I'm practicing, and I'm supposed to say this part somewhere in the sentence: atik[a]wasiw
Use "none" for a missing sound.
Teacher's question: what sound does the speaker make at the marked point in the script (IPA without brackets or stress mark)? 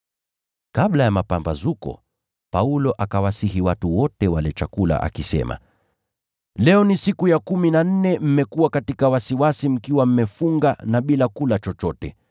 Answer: a